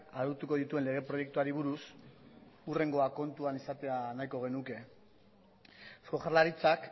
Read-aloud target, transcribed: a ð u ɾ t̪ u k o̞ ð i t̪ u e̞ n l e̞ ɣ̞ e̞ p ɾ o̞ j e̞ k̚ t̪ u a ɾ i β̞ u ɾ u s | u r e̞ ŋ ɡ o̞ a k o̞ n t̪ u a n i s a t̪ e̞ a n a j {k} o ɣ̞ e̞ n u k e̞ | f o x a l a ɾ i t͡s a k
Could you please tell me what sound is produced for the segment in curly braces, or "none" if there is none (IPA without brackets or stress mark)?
k